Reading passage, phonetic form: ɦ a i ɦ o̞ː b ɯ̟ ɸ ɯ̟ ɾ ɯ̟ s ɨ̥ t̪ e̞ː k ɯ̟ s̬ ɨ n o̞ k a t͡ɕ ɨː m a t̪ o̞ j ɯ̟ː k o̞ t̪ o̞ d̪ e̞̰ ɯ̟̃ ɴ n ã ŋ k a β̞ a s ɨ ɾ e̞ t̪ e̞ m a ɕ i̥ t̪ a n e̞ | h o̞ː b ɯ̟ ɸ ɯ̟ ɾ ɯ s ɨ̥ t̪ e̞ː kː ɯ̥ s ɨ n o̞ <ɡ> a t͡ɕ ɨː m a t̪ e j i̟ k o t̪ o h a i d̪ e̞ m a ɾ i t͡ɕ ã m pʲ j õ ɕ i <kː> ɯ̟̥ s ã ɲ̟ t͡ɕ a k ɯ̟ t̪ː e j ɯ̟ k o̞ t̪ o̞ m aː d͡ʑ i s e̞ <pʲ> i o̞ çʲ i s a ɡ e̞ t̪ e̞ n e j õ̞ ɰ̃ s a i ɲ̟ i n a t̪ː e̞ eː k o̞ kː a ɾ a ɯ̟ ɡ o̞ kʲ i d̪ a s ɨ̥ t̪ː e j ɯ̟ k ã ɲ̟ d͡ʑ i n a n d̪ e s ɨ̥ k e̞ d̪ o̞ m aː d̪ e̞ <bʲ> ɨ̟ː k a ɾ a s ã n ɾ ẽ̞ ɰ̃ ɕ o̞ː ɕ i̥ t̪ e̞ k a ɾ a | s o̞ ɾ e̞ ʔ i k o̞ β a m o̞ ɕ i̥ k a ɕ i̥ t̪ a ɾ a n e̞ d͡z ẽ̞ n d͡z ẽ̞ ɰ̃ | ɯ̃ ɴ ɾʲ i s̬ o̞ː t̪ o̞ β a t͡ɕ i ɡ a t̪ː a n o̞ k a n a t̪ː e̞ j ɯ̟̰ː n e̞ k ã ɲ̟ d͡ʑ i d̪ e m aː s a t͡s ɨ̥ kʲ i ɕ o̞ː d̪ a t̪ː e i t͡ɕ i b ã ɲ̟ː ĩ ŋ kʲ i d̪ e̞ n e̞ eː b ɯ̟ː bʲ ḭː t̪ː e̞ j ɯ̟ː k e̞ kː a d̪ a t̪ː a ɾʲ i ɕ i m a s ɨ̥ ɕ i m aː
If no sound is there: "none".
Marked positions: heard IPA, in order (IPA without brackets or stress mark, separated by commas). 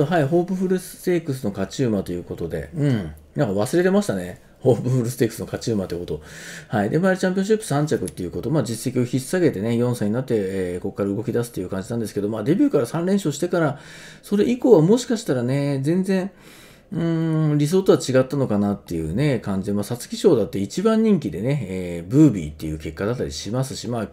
k, pː, kʲ, bʲ